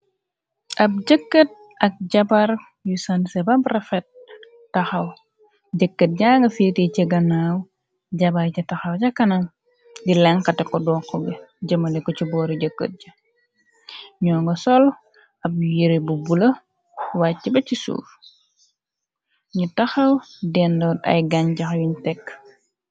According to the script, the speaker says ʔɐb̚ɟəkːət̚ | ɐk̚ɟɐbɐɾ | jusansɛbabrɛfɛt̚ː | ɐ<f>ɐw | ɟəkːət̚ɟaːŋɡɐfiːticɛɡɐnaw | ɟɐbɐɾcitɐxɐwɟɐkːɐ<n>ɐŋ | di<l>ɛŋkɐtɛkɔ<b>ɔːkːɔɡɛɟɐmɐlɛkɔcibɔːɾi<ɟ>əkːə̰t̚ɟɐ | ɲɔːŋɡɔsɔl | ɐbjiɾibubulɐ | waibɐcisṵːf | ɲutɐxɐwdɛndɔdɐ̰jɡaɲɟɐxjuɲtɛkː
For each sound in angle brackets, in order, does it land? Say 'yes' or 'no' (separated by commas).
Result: no, yes, yes, no, yes